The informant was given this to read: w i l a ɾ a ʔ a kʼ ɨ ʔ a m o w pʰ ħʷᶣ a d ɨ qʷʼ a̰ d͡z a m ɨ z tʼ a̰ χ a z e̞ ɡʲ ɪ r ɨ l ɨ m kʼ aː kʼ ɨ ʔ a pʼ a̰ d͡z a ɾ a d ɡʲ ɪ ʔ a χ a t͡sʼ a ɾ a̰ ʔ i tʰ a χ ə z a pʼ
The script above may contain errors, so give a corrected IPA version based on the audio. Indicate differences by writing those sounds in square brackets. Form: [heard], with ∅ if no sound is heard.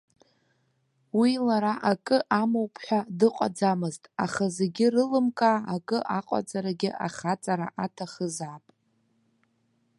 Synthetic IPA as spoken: w i l a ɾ a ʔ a kʼ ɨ ʔ a m o w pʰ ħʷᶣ a d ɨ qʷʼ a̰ d͡z a m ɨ z tʼ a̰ χ a z e̞ ɡʲ ɪ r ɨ l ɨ m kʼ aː kʼ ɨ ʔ a [qʼ] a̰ d͡z a ɾ a [∅] ɡʲ ɪ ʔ a χ a t͡sʼ a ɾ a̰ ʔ [a] tʰ a χ ə z a pʼ